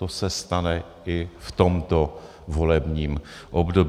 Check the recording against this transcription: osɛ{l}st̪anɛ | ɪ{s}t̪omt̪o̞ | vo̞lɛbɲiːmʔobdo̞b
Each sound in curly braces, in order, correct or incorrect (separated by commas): incorrect, incorrect